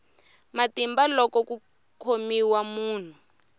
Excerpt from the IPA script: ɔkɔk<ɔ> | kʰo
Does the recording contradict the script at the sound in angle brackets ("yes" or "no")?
yes